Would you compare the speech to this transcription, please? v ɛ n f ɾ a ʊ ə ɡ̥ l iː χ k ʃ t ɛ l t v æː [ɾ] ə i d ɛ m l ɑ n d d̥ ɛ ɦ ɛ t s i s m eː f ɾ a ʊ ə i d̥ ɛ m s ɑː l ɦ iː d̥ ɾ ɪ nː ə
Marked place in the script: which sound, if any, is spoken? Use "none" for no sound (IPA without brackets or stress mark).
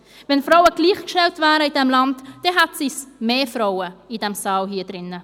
ɾ